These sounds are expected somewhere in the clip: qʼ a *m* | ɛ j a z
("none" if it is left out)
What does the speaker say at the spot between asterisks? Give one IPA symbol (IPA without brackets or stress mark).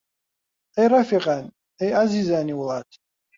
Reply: n